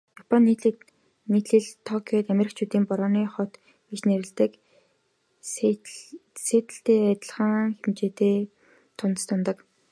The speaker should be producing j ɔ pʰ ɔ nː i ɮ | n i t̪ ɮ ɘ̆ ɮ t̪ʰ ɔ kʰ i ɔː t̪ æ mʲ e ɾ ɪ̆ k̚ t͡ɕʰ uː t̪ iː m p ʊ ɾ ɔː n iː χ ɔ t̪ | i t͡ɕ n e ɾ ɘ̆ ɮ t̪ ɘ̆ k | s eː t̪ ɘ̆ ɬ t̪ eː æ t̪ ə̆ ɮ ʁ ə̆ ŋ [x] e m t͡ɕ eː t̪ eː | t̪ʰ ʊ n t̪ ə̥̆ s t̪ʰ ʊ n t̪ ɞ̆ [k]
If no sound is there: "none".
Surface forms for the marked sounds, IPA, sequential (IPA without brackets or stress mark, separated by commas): x, k